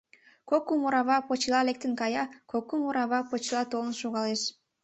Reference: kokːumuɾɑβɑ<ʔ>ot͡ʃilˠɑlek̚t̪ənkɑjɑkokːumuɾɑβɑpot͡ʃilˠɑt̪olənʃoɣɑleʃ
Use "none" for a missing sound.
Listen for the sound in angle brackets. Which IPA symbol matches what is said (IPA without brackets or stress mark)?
p